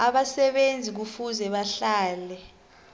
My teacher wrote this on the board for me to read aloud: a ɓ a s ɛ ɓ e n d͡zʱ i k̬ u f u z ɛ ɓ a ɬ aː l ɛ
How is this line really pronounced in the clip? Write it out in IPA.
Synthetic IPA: a ɓ a s ɛ ɓ e n d͡zʱ i k̬ u f u z ɛ ɓ a ɬ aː l ɛ